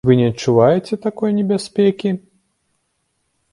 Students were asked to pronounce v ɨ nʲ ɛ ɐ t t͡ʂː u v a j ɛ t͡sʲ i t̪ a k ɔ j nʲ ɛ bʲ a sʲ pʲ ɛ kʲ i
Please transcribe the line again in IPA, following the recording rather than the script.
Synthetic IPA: v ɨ nʲ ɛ ɐ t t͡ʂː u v a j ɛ t͡sʲ ɛ t̪ a k ɔ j nʲ ɛ bʲ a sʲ pʲ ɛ kʲ i

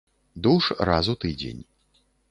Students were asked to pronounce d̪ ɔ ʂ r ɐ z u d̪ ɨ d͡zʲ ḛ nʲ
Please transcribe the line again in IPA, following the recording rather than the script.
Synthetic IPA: d̪ u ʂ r a z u t̪ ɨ d͡zʲ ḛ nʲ

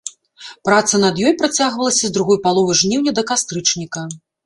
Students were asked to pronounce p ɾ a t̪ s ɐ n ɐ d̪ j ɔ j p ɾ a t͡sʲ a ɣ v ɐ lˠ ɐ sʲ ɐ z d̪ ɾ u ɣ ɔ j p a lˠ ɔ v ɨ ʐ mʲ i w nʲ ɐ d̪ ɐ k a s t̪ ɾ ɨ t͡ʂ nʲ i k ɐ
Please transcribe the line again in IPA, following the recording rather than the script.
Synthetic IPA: p ɾ a t̪ s ɐ n ɐ d̪ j ɔ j p ɾ a t͡sʲ a ɣ v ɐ lˠ ɐ sʲ ɐ z d̪ ɾ u ɣ ɔ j p a lˠ ɔ v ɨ ʐ nʲ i w nʲ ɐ d̪ ɐ k a s t̪ ɾ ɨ t͡ʂ nʲ i k ɐ

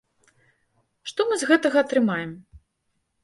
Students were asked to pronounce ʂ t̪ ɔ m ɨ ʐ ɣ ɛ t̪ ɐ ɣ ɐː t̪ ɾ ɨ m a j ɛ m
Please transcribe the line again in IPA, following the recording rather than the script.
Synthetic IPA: ʂ t̪ ɔ m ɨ z ɣ ɛ t̪ ɐ ɣ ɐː t̪ ɾ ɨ m a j ɛ m

